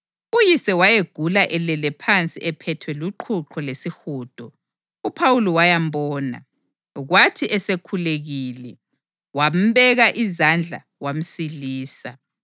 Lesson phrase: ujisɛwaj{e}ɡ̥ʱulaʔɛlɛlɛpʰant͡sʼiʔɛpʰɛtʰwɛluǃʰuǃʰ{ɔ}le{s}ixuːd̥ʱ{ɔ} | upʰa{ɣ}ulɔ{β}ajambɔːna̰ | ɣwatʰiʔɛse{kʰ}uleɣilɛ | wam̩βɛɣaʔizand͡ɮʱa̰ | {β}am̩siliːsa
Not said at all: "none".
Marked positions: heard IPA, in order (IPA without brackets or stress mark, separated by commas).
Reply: e, ɔ, s, ɔ, w, w, kʰ, w